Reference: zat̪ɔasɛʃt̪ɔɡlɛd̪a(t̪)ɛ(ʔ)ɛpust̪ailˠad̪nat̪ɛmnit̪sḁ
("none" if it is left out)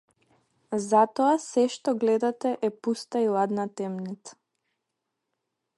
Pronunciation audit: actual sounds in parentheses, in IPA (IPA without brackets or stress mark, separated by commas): t̪, ʔ